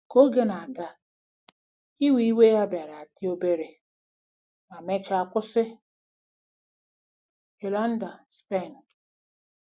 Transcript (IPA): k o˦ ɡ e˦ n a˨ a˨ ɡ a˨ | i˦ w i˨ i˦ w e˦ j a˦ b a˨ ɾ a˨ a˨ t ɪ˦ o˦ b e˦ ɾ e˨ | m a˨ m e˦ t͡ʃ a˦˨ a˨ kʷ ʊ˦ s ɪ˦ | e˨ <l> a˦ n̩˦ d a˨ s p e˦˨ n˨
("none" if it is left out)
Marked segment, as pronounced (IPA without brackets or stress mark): l